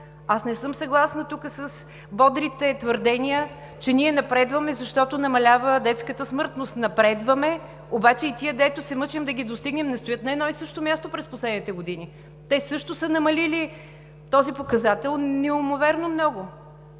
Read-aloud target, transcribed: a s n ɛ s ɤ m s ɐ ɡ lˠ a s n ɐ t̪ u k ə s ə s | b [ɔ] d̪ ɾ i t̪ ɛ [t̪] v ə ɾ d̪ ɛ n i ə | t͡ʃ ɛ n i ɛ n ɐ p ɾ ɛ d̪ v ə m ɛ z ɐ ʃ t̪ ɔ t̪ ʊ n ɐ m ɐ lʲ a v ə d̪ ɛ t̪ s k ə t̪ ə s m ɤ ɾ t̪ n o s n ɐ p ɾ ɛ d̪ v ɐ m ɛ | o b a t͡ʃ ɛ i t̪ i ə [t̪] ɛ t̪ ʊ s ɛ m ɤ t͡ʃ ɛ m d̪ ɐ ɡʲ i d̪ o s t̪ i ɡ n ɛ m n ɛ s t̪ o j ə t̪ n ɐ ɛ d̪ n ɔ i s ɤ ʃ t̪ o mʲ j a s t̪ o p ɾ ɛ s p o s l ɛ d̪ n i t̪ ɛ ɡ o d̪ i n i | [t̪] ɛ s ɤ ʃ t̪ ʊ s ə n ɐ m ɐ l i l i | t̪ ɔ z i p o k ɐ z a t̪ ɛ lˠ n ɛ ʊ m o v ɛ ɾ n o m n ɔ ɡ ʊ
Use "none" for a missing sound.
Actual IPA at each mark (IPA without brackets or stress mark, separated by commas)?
ɔ, t̪, d̪, t̪